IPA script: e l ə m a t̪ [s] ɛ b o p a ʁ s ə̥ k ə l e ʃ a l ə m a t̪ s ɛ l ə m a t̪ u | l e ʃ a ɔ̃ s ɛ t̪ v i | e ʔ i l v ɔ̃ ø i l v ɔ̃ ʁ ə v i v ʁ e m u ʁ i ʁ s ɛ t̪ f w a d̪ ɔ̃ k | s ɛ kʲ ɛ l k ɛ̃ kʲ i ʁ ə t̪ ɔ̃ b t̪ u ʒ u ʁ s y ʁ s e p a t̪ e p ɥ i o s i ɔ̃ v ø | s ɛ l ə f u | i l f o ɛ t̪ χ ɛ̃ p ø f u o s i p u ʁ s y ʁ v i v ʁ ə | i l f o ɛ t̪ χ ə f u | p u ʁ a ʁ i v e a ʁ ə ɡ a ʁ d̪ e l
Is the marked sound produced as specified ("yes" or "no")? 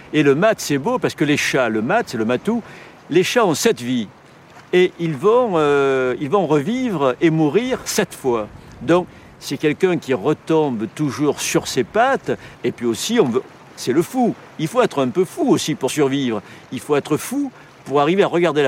yes